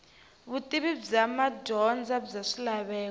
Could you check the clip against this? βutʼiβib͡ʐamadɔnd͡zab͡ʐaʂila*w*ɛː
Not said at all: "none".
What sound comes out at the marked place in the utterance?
β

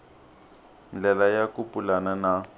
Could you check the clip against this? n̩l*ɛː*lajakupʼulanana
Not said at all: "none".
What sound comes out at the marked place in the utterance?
ɛ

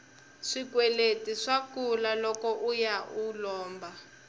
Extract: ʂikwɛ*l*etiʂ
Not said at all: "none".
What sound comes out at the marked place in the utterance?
l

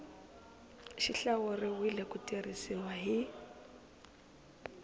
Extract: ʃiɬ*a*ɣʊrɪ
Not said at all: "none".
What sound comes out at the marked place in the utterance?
a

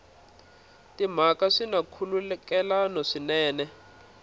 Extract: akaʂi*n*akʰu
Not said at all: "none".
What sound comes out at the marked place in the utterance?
n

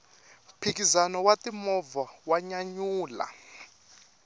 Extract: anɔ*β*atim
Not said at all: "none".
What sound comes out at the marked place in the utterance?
w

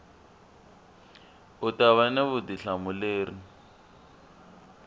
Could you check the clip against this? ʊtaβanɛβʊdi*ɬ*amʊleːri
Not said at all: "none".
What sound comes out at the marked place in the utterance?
ɬ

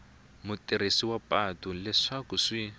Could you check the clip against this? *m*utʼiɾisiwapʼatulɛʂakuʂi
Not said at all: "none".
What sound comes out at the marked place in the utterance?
m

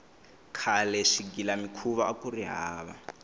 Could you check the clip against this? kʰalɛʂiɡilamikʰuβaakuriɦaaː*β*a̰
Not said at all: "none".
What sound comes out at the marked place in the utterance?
β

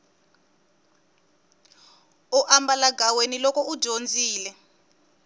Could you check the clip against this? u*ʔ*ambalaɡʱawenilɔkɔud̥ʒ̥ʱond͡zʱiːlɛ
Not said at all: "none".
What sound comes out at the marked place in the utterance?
ʔ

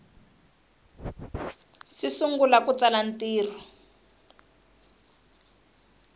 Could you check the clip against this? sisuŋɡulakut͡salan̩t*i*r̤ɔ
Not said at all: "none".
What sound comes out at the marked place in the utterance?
iː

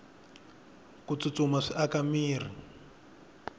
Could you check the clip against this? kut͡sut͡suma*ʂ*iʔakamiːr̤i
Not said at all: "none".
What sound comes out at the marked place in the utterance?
ʂ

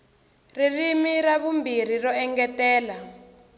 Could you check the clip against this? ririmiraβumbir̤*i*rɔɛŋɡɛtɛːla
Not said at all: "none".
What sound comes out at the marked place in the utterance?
i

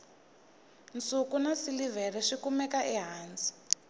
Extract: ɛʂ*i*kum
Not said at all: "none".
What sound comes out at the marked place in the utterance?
i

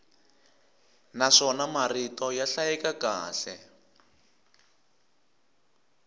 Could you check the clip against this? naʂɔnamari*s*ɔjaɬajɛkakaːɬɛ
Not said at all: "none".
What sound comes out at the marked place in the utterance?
t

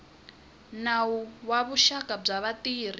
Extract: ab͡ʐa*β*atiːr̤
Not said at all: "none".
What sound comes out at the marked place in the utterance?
β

